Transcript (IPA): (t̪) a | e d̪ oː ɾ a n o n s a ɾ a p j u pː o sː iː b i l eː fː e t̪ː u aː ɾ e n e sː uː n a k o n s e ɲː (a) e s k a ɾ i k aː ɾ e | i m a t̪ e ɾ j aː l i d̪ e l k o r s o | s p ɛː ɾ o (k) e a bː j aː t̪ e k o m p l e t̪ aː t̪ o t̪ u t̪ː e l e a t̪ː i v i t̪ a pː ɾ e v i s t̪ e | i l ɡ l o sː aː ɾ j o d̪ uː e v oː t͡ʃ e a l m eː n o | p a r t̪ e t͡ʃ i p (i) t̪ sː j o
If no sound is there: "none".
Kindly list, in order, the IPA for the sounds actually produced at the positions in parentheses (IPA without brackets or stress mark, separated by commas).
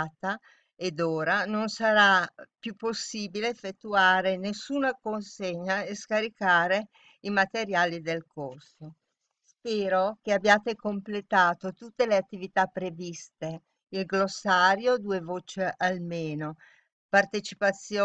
t̪, a, k, a